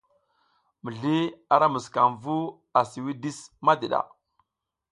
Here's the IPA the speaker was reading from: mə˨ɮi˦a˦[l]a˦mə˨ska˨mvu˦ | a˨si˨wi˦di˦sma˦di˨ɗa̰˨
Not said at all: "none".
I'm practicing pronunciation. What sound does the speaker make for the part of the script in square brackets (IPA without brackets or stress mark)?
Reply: ɾ